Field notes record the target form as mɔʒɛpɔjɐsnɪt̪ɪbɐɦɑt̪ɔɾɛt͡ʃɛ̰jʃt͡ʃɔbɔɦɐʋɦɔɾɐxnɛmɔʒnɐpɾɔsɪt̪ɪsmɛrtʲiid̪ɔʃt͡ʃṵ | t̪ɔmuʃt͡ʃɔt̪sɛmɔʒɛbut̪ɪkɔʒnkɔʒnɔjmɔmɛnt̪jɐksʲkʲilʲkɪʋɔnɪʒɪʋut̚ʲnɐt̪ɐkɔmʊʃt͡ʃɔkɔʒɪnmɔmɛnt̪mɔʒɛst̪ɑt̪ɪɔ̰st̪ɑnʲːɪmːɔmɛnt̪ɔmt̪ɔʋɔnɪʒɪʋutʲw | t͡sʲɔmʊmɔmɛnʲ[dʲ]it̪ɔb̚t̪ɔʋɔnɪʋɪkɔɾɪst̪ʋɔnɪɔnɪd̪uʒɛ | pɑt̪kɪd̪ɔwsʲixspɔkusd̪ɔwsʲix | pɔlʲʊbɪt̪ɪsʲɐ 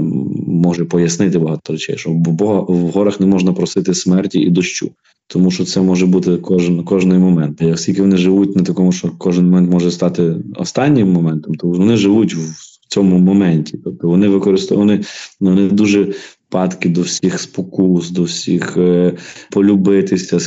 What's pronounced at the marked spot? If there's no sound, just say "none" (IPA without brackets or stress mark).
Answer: tʲ